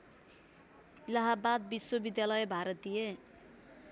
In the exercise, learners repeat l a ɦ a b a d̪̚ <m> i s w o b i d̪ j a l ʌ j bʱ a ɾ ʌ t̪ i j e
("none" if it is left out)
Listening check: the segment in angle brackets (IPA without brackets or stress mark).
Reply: b